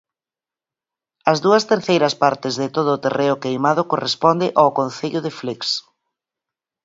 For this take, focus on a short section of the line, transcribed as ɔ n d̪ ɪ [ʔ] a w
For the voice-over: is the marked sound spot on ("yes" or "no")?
yes